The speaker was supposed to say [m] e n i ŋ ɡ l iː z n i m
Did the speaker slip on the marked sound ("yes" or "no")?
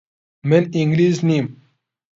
no